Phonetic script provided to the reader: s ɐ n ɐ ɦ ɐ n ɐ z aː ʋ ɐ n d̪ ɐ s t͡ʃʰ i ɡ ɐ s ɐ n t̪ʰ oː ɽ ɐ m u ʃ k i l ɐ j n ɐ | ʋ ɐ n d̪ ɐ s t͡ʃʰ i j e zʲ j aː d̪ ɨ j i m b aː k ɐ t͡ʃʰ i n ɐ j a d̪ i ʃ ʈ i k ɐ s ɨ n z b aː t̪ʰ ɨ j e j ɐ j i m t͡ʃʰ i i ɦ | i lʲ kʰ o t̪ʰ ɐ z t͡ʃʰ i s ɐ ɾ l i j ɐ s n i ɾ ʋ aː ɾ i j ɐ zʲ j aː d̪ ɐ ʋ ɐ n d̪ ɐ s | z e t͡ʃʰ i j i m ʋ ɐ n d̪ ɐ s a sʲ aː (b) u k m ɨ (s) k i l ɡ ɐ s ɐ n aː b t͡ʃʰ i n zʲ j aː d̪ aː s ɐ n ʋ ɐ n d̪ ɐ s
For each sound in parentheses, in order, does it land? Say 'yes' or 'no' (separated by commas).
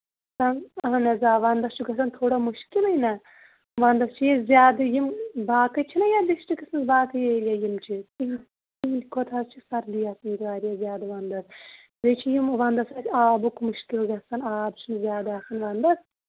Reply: yes, no